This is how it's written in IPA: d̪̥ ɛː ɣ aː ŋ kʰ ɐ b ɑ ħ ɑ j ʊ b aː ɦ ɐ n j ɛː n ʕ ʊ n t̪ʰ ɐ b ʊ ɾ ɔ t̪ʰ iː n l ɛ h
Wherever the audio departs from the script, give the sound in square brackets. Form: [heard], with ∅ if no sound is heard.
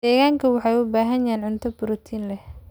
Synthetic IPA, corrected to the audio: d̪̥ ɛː ɣ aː ŋ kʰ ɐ [w] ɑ ħ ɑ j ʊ b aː ɦ ɐ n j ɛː n ʕ ʊ n t̪ʰ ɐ b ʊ ɾ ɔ t̪ʰ iː n l ɛ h